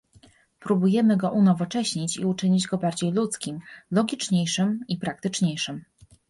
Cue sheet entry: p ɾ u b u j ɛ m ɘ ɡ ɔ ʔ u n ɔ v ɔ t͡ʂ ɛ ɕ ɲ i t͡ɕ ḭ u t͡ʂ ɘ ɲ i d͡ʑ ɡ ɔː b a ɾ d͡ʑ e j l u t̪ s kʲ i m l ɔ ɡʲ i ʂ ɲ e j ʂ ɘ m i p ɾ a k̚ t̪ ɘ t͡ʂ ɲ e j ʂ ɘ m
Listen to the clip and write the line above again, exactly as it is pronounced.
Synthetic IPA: p ɾ u b u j ɛ m ɘ ɡ ɔ ʔ u n ɔ v ɔ t͡ʂ ɛ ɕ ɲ i t͡ɕ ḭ u t͡ʂ ɘ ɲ i d͡ʑ ɡ ɔ b a ɾ d͡ʑ e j l u t̪ s kʲ i m l ɔ ɡʲ i t͡ʂ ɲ e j ʂ ɘ m i p ɾ a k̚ t̪ ɘ t͡ʂ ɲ e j ʂ ɘ m